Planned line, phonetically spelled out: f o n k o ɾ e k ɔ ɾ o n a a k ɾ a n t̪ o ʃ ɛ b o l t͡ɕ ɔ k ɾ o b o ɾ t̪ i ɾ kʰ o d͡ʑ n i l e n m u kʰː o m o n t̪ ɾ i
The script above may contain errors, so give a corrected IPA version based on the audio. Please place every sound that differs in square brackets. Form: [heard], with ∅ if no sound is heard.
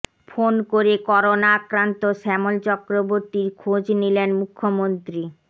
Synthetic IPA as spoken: f o n k o ɾ e k ɔ ɾ o n a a k ɾ a n t̪ o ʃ ɛ [m] o l t͡ɕ ɔ k ɾ o b o ɾ t̪ i ɾ kʰ o d͡ʑ n i l e n m u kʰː o m o n t̪ ɾ i